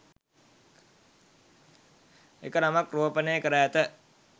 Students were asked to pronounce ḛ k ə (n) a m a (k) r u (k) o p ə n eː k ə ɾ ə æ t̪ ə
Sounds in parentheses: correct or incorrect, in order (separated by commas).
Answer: correct, correct, incorrect